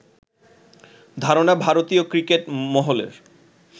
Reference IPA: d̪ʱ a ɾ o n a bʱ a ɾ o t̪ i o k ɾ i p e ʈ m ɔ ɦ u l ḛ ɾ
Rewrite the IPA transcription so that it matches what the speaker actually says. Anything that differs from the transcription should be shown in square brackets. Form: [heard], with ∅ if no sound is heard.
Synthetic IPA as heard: d̪ʱ a ɾ o n a bʱ a ɾ o t̪ i o k ɾ i [k] e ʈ m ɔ ɦ [o] l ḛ ɾ